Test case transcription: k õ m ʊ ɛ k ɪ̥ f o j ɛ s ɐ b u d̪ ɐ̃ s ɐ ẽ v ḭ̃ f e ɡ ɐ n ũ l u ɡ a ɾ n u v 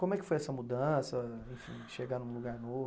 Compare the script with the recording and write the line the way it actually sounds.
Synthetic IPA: k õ m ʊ ɛ k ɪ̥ f o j ɛ s ɐ m u d̪ ɐ̃ s ɐ ẽ f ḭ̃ ʃ e ɡ a n ũ l u ɡ a ɾ n o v